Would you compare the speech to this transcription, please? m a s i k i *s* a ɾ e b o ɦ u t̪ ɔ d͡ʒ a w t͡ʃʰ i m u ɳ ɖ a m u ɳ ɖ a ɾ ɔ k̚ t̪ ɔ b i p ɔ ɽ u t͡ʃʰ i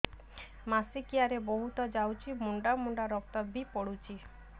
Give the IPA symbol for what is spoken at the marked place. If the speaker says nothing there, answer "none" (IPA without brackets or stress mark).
none